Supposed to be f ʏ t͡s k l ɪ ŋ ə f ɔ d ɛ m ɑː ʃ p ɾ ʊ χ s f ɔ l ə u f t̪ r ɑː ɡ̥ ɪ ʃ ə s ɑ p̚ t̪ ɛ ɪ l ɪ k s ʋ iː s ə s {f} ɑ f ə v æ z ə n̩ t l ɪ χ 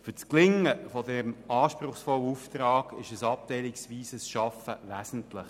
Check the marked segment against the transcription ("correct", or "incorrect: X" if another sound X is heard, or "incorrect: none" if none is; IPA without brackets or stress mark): incorrect: ʃ